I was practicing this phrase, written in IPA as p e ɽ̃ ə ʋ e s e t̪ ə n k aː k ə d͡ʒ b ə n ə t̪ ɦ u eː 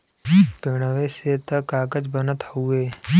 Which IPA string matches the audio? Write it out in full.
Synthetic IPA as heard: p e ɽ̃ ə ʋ e s e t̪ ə k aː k ə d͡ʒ b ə n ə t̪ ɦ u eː